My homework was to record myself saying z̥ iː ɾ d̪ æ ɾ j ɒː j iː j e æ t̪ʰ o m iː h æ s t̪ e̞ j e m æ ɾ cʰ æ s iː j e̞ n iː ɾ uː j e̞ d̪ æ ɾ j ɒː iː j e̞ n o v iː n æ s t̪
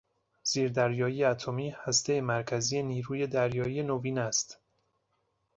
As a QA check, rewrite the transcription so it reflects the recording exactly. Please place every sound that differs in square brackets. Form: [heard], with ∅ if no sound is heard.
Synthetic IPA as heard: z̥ iː ɾ d̪ æ ɾ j ɒː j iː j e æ t̪ʰ o m iː h æ s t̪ e̞ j e m æ ɾ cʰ æ [z] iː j e̞ n iː ɾ uː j e̞ d̪ æ ɾ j ɒː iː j e̞ n o v iː n æ s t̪